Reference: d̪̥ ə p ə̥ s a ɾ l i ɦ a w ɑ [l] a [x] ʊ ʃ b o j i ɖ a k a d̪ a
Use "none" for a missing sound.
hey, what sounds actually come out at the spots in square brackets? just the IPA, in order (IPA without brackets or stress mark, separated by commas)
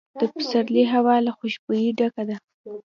l, x